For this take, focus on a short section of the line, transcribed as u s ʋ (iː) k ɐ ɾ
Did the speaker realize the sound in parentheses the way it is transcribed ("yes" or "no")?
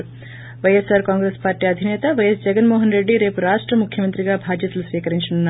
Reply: yes